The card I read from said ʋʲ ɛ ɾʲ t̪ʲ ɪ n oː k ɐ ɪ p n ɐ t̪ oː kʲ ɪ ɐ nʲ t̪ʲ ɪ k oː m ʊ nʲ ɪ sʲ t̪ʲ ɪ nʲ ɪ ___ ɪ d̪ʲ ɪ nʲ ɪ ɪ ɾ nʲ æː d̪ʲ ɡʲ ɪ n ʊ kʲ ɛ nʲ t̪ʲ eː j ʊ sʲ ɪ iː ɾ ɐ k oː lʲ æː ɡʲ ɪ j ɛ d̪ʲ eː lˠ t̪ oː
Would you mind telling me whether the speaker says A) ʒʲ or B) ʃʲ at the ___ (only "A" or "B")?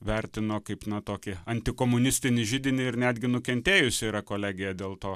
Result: A